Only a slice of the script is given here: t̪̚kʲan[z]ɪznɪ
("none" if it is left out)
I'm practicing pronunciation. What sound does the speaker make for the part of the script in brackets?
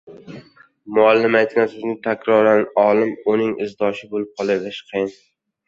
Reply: s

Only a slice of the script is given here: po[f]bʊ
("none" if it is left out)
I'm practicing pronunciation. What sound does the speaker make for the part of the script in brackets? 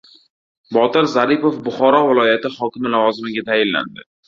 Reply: f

